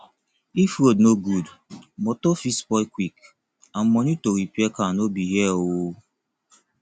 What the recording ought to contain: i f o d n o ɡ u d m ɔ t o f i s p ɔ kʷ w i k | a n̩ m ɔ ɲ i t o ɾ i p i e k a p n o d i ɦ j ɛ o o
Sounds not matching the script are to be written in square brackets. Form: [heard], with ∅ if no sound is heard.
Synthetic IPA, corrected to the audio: i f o d n o ɡ u d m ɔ t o f i s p ɔ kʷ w i k | a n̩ m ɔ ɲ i t o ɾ i p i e k a [∅] n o [b] i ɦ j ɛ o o